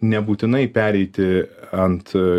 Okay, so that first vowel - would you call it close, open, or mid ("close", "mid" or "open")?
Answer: mid